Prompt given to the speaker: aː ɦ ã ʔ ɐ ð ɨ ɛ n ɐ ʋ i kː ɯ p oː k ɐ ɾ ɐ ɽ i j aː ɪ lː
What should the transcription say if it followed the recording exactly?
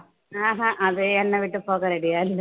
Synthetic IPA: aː ɦ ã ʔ ɐ ð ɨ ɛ nː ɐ ʋ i ʈː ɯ p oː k ɐ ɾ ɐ ɽ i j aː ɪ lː